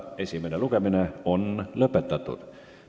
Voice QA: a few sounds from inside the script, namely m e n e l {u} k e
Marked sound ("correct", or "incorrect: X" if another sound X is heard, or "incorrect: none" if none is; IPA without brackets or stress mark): correct